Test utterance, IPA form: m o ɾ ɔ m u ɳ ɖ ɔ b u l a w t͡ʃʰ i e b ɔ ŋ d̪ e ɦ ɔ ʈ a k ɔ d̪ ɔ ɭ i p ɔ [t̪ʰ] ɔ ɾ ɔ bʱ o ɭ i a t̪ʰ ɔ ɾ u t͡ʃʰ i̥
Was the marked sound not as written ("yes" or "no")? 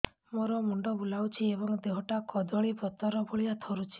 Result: yes